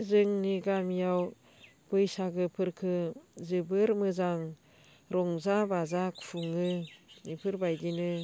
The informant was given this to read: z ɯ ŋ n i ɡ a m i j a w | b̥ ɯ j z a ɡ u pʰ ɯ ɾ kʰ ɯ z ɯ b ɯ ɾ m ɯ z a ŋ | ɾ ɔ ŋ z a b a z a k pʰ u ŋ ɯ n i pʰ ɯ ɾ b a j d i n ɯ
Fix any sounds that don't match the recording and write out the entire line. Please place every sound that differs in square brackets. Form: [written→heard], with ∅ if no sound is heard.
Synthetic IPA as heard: z ɯ ŋ n i ɡ a m i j a w | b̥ ɯ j [z→s] a ɡ [u→ɯ] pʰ ɯ ɾ kʰ ɯ z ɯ b ɯ ɾ m ɯ z a ŋ | ɾ ɔ ŋ z a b a z a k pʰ u ŋ ɯ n i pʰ ɯ ɾ b a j d i n ɯ